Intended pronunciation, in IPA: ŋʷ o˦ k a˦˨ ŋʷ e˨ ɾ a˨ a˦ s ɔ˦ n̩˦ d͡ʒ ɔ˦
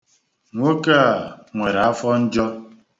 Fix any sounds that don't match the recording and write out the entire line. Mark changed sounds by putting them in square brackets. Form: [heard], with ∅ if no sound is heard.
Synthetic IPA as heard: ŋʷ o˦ k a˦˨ ŋʷ e˨ ɾ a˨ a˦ [f] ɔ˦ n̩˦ d͡ʒ ɔ˦

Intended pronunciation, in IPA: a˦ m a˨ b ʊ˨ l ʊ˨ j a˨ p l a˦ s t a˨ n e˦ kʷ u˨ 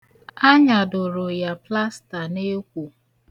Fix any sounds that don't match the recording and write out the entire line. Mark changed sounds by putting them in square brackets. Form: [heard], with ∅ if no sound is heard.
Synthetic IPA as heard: a˦ [ɲ] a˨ [d] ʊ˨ [ɾ] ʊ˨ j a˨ p l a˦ s t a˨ n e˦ kʷ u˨

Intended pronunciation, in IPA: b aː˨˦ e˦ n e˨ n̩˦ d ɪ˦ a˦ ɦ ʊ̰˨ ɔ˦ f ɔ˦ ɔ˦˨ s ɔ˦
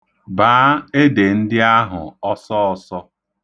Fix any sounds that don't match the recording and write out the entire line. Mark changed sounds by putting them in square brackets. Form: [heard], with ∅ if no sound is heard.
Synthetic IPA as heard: b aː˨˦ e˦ [d] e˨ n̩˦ d ɪ˦ a˦ ɦ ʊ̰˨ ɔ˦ [s] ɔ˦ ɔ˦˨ s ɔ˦

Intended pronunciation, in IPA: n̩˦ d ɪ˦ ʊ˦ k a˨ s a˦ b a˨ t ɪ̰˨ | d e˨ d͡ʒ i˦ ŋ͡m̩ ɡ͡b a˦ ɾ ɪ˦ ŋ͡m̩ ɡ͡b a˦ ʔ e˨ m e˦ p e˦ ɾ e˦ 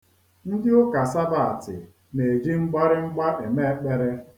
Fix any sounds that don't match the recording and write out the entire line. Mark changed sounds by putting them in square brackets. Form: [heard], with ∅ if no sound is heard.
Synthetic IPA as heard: n̩˦ d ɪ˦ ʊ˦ k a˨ s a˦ b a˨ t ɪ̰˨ | [n] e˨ d͡ʒ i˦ ŋ͡m̩ ɡ͡b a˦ ɾ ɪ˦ ŋ͡m̩ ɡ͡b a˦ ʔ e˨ m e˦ [k͡p] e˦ ɾ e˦

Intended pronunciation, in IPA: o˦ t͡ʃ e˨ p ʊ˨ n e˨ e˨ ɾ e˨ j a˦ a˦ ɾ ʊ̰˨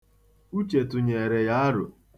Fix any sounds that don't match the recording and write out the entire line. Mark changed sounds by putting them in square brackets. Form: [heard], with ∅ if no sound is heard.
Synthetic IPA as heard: [u˦] t͡ʃ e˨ [t] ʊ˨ [ɲ] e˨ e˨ ɾ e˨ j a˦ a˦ ɾ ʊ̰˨

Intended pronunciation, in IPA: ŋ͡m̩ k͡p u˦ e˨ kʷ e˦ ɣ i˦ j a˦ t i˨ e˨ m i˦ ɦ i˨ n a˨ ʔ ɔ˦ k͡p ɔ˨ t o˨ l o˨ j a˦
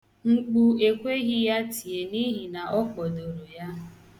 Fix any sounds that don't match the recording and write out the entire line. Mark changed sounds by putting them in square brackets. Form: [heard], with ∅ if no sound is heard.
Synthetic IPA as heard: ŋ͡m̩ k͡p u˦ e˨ kʷ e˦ ɣ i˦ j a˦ t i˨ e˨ [n] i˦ ɦ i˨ n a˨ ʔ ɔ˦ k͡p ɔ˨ [d] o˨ [ɾ] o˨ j a˦

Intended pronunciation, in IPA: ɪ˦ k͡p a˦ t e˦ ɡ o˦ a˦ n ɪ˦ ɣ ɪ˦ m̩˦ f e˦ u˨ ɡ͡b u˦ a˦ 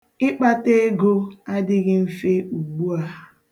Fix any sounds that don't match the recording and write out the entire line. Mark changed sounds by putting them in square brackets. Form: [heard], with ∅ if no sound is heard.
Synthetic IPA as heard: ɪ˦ k͡p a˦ t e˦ ɡ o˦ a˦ [d] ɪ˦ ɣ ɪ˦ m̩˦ f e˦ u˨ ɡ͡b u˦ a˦

